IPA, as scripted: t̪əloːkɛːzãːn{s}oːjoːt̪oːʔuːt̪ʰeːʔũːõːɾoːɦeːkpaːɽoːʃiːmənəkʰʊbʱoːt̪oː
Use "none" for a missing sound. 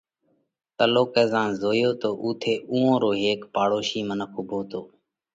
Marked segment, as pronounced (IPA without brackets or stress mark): z